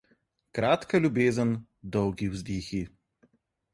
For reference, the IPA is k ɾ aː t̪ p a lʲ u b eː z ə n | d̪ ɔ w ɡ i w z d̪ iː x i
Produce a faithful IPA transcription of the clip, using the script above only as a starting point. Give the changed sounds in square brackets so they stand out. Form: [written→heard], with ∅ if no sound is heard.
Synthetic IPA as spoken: k ɾ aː t̪ [p→k] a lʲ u b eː z ə n | d̪ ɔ w ɡ i w z d̪ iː x i